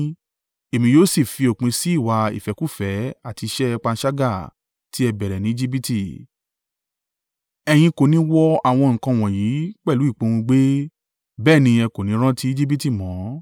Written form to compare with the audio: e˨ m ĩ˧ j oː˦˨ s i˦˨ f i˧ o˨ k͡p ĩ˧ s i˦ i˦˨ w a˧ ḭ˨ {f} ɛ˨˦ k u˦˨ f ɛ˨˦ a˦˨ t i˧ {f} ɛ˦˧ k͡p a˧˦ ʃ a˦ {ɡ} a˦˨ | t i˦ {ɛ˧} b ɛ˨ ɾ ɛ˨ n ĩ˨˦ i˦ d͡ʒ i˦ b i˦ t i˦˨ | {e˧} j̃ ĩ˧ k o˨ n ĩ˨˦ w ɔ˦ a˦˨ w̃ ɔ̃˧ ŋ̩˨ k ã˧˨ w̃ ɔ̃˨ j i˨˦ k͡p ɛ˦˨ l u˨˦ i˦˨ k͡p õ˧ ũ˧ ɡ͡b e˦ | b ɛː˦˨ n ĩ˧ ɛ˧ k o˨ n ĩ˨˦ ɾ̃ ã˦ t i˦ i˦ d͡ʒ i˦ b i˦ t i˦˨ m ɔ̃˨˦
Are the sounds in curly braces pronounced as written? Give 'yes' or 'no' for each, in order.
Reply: yes, no, yes, yes, no

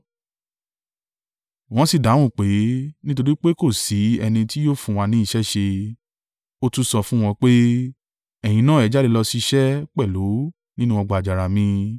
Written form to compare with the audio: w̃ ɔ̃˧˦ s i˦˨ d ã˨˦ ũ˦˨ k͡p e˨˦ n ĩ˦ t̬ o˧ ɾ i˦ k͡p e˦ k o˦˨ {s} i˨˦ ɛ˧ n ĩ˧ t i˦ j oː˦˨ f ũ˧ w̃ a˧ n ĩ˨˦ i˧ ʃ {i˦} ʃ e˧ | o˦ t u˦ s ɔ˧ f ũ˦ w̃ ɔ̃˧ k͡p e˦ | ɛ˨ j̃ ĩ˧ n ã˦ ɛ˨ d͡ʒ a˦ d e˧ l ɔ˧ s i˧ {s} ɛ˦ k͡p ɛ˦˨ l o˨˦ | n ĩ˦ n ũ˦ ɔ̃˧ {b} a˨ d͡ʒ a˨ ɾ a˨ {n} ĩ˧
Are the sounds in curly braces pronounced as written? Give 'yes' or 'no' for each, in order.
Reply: yes, no, no, no, no

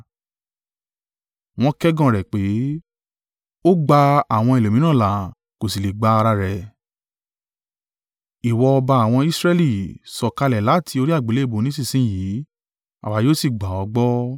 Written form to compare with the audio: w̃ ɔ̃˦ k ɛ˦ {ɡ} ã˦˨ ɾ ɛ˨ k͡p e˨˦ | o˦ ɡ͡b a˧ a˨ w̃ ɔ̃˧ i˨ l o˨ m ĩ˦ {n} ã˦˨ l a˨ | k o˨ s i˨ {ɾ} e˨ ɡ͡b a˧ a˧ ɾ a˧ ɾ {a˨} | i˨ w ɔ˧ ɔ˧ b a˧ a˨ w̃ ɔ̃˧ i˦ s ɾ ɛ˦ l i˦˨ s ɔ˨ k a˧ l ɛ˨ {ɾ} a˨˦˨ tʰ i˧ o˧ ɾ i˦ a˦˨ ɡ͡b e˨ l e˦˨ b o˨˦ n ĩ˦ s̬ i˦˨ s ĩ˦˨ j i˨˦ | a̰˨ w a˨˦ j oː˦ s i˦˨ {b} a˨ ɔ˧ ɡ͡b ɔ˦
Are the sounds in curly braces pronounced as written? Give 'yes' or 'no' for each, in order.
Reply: yes, yes, no, no, no, no

